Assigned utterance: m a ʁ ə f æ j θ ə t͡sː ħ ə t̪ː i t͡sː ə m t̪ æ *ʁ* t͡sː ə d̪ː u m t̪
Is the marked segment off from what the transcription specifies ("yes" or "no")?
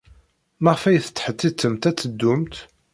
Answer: yes